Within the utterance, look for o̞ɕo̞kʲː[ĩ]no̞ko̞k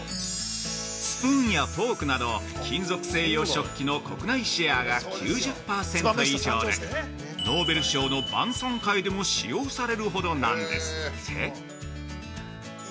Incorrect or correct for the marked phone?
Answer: incorrect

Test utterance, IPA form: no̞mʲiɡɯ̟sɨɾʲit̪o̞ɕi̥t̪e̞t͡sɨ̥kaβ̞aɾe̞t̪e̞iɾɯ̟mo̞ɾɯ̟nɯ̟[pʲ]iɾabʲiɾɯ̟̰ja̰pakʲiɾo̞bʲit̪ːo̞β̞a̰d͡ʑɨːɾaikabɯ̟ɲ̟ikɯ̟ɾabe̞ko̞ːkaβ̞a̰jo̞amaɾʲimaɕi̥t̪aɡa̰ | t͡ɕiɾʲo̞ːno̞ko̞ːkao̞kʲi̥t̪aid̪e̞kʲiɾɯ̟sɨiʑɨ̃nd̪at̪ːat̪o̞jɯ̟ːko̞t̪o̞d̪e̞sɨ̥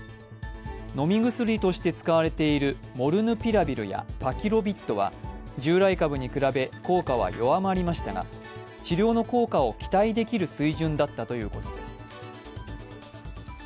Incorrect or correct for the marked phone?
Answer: correct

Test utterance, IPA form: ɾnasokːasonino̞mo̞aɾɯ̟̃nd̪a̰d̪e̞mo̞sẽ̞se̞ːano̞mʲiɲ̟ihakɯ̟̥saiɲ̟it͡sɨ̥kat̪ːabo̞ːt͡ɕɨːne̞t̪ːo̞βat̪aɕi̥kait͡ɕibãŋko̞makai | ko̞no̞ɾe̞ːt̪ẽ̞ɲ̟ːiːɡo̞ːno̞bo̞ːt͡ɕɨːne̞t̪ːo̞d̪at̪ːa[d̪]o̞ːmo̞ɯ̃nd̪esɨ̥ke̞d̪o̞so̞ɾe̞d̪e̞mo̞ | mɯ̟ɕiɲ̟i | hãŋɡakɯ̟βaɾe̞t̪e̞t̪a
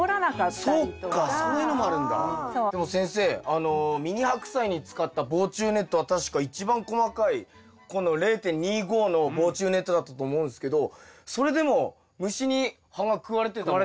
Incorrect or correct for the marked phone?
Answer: incorrect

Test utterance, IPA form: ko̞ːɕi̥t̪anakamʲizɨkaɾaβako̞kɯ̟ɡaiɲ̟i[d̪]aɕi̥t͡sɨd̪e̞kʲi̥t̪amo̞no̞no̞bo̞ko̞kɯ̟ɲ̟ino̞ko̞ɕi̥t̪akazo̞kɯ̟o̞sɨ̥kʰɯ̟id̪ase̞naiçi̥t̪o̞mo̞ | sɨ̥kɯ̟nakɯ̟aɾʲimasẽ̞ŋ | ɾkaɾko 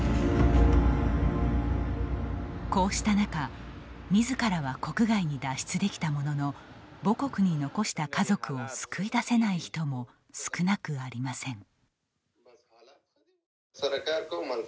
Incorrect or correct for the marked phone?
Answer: correct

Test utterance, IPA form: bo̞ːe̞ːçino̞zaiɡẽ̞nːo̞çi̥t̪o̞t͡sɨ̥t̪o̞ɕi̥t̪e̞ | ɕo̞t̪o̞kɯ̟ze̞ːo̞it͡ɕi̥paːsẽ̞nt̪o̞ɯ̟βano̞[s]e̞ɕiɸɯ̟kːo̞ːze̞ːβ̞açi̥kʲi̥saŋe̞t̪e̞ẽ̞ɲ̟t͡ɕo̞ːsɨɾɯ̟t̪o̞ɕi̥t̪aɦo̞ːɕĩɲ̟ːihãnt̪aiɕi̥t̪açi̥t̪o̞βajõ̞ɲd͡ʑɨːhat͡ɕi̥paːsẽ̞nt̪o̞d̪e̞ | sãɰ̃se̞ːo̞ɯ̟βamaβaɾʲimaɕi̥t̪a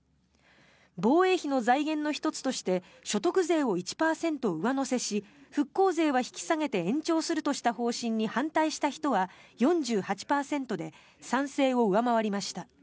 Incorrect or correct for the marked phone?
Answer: correct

